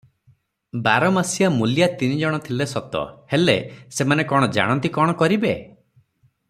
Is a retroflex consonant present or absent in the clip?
present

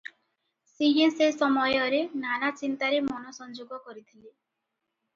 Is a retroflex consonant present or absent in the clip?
absent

